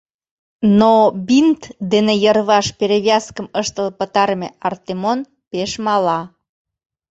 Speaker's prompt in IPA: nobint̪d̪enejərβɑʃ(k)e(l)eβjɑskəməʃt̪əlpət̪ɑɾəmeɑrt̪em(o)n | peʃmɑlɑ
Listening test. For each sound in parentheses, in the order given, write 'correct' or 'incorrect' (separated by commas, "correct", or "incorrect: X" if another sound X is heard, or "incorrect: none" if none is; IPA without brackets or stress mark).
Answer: incorrect: p, incorrect: ɾ, correct